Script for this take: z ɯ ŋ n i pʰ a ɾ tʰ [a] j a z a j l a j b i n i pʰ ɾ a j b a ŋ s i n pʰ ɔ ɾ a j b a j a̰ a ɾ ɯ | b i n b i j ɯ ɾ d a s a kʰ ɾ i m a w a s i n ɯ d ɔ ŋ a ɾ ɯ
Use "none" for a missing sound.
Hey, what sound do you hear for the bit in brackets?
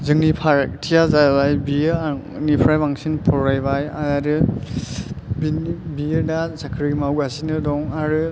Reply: i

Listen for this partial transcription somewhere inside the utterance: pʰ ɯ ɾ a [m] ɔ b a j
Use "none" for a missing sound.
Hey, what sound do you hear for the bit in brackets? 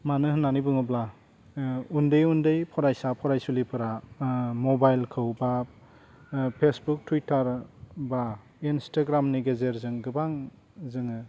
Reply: m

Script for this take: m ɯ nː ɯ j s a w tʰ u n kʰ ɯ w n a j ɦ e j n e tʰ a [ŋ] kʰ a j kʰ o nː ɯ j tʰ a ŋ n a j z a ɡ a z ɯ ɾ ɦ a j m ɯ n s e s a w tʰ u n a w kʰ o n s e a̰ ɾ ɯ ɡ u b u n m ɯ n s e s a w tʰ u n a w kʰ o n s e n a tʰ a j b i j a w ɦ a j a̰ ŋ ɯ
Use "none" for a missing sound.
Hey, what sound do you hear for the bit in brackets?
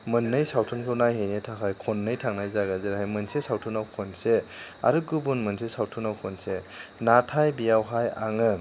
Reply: none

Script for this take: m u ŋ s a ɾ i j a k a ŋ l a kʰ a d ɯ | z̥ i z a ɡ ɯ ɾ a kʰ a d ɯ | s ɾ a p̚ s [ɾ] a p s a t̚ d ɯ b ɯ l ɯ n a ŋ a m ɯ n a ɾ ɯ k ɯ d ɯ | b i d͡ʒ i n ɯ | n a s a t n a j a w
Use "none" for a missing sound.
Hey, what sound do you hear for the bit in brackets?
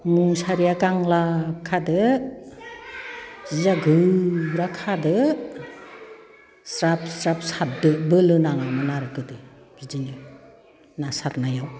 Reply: ɾ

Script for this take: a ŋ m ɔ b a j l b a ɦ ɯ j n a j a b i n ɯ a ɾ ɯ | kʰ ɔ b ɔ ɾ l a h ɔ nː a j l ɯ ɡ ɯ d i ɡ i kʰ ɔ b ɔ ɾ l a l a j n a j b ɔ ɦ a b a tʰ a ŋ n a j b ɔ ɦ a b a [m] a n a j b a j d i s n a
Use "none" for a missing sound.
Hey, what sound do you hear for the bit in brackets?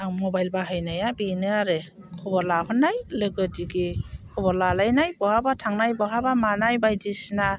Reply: m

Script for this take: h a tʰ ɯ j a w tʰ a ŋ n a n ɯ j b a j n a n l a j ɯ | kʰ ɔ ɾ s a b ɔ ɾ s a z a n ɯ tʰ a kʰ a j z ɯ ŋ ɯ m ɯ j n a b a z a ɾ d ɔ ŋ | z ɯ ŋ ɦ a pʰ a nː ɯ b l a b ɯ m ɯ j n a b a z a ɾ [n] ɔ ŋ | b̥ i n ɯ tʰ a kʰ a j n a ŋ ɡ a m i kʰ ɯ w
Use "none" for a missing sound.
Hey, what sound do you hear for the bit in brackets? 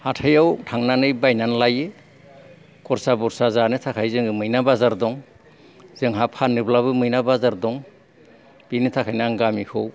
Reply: d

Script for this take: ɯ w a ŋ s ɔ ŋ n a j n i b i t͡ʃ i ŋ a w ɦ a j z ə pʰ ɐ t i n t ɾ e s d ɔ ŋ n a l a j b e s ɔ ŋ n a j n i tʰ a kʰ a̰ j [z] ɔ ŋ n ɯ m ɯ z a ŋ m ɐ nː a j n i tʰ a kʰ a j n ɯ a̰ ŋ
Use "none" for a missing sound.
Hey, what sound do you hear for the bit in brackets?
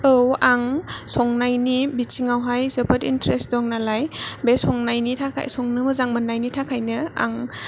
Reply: s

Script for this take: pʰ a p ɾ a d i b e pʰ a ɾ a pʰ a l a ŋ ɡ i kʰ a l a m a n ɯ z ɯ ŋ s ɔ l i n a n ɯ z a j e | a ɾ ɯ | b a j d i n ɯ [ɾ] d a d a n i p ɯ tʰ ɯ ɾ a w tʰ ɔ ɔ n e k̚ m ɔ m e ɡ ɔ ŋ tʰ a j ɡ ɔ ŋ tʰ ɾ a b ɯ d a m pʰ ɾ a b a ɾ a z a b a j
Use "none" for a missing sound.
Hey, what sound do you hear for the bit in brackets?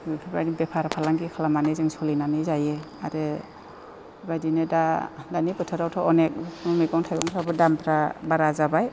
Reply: none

